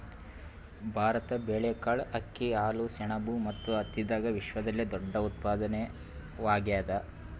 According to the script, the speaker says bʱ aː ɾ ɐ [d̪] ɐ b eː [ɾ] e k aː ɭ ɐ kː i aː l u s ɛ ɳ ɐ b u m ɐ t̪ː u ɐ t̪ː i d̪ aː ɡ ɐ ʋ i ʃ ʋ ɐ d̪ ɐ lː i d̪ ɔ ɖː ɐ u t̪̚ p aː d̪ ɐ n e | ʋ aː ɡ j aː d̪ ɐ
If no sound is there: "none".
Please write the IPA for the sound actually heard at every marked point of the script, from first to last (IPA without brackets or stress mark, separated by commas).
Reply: t̪, ɭ